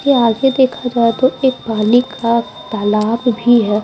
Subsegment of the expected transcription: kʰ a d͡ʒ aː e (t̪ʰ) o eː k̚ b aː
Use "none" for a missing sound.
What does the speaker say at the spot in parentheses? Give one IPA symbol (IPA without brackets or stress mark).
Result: t̪